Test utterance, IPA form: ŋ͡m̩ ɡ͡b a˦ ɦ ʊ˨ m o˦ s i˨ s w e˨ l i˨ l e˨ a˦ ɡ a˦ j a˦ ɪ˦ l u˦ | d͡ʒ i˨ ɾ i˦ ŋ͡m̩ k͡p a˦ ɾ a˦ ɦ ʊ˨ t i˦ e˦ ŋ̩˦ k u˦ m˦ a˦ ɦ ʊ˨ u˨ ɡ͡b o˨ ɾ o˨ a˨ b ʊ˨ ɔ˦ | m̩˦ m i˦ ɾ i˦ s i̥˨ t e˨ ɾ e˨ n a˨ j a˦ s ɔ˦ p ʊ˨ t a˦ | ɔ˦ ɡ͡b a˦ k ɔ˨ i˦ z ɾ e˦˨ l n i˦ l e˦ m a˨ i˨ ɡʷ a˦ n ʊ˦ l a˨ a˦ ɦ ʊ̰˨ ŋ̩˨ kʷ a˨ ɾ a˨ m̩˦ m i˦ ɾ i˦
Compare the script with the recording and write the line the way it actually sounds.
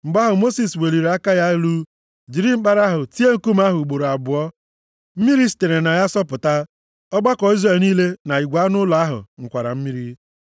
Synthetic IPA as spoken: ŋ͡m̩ ɡ͡b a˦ ɦ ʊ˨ m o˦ s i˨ s w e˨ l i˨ ɾ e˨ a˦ k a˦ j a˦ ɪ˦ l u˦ | d͡ʒ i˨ ɾ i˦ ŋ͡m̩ k͡p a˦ ɾ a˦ ɦ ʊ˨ t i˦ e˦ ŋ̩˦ k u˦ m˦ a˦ ɦ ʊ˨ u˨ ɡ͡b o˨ ɾ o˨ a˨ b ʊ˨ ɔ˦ | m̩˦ m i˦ ɾ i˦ s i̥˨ t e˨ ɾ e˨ n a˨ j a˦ s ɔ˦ p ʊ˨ t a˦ | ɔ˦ ɡ͡b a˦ k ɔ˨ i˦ z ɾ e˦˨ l n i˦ l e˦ n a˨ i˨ ɡʷ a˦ n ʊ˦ l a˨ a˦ ɦ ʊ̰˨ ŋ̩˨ kʷ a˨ ɾ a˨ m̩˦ m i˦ ɾ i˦

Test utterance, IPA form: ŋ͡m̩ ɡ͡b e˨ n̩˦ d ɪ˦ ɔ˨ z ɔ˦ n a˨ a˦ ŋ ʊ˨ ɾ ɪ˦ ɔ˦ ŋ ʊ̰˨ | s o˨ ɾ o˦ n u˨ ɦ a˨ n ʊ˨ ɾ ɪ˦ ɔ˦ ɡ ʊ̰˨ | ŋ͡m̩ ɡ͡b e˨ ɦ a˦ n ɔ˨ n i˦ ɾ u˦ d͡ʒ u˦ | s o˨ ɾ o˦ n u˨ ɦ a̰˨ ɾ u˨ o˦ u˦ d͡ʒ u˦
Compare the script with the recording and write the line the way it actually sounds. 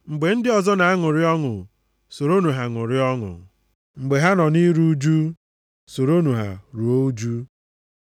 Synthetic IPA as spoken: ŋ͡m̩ ɡ͡b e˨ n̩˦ d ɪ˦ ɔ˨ z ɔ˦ n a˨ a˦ ŋ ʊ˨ ɾ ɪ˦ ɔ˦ ŋ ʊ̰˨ | s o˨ ɾ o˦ n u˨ ɦ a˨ ŋ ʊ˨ ɾ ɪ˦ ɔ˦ ŋ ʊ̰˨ | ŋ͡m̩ ɡ͡b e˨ ɦ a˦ n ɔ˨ n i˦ ɾ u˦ d͡ʒ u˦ | s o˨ ɾ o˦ n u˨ ɦ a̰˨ ɾ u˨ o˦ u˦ d͡ʒ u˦

